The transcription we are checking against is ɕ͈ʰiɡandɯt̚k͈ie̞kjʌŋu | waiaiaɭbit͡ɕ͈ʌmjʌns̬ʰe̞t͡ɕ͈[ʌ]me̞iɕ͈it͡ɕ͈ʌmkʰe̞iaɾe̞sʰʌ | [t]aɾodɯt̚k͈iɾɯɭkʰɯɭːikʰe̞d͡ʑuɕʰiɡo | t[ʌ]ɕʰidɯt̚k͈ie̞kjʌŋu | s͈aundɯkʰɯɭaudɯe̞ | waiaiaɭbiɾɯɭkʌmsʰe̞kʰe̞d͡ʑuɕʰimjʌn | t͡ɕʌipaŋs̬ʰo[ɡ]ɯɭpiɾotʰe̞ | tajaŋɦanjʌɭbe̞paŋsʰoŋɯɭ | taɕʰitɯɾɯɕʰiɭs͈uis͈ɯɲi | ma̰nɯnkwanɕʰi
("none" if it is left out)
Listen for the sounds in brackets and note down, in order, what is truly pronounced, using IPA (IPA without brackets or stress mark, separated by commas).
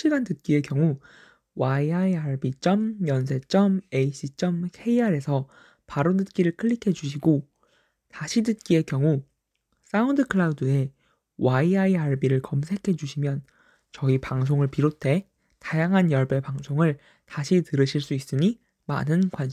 ʌ, p, a, ŋ